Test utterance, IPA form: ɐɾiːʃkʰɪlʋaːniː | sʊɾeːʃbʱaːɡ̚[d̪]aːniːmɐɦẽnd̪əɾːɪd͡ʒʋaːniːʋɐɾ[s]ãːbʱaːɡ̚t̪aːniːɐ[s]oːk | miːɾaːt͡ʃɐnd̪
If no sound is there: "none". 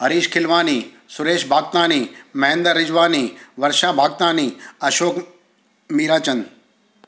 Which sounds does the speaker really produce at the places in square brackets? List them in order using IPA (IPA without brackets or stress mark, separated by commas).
t̪, ʃ, ʃ